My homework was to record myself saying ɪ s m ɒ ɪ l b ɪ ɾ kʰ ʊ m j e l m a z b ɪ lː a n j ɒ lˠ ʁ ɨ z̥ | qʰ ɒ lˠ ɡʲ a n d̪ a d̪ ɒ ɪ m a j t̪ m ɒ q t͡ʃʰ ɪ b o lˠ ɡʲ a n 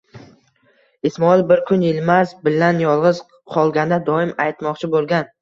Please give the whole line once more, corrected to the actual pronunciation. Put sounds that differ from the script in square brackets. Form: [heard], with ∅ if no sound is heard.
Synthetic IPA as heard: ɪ s m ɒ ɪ l b ɪ ɾ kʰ ʊ [n] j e l m a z b ɪ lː a n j ɒ lˠ ʁ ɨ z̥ | qʰ ɒ lˠ ɡʲ a n d̪ a d̪ ɒ ɪ m a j t̪ m ɒ q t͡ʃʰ ɪ b o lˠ ɡʲ a n